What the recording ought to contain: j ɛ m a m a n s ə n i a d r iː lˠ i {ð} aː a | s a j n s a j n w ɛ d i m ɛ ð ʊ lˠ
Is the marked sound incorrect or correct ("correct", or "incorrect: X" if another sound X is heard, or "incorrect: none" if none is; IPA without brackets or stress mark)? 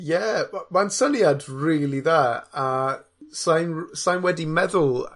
correct